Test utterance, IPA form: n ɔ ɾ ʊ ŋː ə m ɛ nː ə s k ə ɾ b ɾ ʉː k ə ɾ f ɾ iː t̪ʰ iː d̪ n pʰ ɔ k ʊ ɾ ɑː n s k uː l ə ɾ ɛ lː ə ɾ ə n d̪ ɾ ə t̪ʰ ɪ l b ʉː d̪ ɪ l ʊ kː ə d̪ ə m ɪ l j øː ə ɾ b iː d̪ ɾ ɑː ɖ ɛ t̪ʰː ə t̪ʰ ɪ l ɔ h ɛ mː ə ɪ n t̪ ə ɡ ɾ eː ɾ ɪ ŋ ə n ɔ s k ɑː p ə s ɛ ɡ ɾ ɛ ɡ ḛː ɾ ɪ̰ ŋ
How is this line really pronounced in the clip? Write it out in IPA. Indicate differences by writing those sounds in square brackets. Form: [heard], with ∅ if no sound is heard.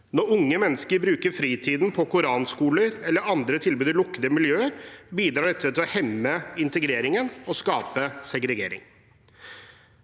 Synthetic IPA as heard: n ɔ ɾ ʊ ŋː ə m ɛ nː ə s k ə ɾ b ɾ ʉː k ə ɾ f ɾ iː t̪ʰ iː d̪ n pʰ ɔ k ʊ ɾ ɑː n s k uː l ə ɾ ɛ lː ə ɾ [ɑ] n d̪ ɾ ə t̪ʰ ɪ l b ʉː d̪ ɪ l ʊ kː ə d̪ ə m ɪ l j øː ə ɾ b iː d̪ ɾ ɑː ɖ ɛ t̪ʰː ə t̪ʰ ɪ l ɔ h ɛ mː ə ɪ n t̪ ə ɡ ɾ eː ɾ ɪ ŋ ə n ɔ s k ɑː p ə s ɛ ɡ ɾ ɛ ɡ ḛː ɾ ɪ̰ ŋ

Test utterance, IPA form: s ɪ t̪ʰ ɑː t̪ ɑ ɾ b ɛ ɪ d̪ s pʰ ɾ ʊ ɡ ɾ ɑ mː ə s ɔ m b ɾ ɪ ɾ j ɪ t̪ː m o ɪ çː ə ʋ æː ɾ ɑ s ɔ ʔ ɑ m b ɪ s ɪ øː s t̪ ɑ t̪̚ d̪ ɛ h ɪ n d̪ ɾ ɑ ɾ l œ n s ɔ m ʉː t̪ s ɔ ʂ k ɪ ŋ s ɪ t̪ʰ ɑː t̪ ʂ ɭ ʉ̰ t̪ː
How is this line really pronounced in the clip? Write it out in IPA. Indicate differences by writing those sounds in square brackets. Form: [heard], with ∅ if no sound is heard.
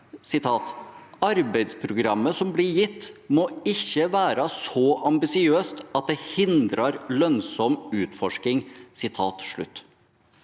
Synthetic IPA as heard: s ɪ t̪ʰ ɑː t̪ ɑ ɾ b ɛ ɪ d̪ s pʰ ɾ ʊ ɡ ɾ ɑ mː ə s ɔ m b [l] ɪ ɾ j ɪ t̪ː m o ɪ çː ə ʋ æː ɾ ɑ s ɔ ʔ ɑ m b ɪ s ɪ øː s t̪ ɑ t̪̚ d̪ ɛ h ɪ n d̪ ɾ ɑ ɾ l œ n s ɔ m ʉː t̪ [f] ɔ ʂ k ɪ ŋ s ɪ t̪ʰ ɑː t̪ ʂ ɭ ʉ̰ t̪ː

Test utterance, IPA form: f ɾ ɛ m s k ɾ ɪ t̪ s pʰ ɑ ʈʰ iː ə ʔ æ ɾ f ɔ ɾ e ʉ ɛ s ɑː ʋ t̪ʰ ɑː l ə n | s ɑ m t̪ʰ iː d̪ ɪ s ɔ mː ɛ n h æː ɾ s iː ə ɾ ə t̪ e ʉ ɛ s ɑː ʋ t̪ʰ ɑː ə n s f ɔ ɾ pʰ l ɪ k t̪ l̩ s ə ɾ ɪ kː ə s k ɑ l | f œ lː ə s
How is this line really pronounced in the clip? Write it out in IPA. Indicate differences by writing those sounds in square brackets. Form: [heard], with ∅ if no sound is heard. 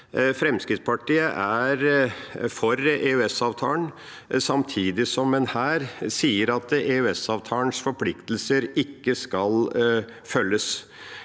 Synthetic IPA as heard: f ɾ ɛ m s k ɾ ɪ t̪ s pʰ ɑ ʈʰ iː ə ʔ æ ɾ f ɔ ɾ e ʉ ɛ s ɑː ʋ t̪ʰ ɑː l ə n | s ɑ m t̪ʰ iː d̪ ɪ s ɔ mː ɛ n h æː ɾ s iː ə ɾ [ɑ] t̪ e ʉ ɛ s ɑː ʋ t̪ʰ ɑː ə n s f ɔ ɾ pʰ l ɪ k t̪ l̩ s ə ɾ ɪ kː ə s k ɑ l | f œ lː ə s

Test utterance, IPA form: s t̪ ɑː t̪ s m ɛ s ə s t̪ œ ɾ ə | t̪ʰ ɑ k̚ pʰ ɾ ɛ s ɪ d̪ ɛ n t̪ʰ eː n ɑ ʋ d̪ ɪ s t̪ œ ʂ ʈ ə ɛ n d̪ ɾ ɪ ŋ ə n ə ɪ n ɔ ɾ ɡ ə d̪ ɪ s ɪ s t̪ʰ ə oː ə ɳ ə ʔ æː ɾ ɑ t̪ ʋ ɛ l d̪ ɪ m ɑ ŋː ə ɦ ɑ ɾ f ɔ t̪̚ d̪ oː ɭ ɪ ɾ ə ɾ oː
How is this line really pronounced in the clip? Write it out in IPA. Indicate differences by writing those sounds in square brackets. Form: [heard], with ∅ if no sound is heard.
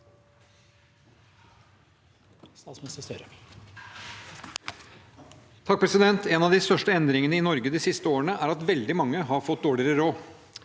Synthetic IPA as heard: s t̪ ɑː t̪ s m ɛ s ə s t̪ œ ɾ ə | t̪ʰ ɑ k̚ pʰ ɾ ɛ s ɪ d̪ ɛ n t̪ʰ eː n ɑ ʋ d̪ ɪ s t̪ œ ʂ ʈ ə ɛ n d̪ ɾ ɪ ŋ ə n ə ɪ n ɔ ɾ ɡ ə d̪ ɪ s ɪ s [t̪] ə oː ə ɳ ə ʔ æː ɾ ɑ t̪ ʋ ɛ l d̪ ɪ m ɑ ŋː ə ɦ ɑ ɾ f ɔ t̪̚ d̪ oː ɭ ɪ ɾ ə ɾ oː

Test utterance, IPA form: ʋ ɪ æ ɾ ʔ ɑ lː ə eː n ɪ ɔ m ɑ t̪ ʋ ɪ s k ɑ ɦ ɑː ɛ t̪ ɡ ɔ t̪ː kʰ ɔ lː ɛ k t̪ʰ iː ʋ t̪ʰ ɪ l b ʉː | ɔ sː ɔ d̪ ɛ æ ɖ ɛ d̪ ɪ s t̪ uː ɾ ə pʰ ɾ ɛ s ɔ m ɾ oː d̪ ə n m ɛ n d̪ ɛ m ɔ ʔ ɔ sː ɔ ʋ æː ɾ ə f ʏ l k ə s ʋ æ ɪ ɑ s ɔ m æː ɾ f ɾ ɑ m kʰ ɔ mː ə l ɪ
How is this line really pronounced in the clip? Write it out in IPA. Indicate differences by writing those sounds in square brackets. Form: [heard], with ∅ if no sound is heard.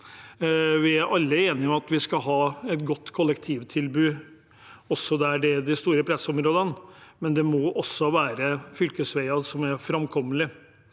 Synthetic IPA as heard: ʋ ɪ æ ɾ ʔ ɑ lː ə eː n ɪ ɔ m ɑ t̪ ʋ ɪ s k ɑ ɦ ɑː ɛ t̪ ɡ ɔ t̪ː kʰ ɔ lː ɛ k t̪ʰ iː ʋ t̪ʰ ɪ l b ʉː | ɔ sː ɔ d̪ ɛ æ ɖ ɛ d̪ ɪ s t̪ uː ɾ ə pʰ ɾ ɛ s ɔ m ɾ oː d̪ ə n m ɛ n d̪ ɛ m ɔ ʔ ɔ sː ɔ ʋ æː ɾ ə f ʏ l k ə s ʋ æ ɪ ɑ s ɔ m [æ] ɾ f ɾ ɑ m kʰ ɔ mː ə l ɪ

